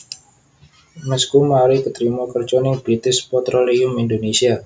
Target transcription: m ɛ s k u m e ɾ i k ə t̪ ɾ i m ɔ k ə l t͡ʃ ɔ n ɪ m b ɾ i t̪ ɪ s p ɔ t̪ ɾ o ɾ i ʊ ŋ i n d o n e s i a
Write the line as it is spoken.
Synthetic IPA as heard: m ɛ s k u m a ɾ i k ə t̪ ɾ i m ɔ k ə r t͡ʃ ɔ n ɪ ŋ b ɾ i t̪ ɪ s p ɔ t̪ ɾ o l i ʊ m i n d o n e s i a